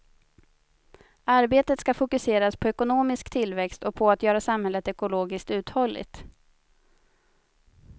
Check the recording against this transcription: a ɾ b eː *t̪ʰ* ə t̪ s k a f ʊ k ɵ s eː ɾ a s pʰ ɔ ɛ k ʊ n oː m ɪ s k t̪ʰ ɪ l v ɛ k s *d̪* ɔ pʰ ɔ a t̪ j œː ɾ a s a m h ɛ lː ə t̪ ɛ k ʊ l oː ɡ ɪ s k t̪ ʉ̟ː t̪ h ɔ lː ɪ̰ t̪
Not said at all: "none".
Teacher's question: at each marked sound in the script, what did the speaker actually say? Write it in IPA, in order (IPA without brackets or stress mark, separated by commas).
t̪, t̪